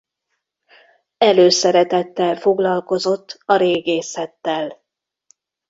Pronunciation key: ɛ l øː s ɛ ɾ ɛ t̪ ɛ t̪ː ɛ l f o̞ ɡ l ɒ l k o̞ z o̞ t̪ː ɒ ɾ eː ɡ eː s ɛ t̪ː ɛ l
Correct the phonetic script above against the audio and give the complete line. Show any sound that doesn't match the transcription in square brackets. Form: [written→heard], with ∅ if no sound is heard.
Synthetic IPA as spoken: ɛ l øː s ɛ ɾ ɛ t̪ ɛ t̪ː ɛ l f o̞ ɡ l ɒ l k o̞ z o̞ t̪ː ɒ ɾ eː ɡ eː s ɛ t̪ː ɛ l